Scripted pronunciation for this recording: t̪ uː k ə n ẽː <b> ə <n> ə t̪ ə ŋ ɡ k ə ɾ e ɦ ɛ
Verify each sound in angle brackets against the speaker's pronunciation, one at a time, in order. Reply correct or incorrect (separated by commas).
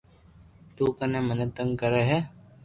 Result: incorrect, correct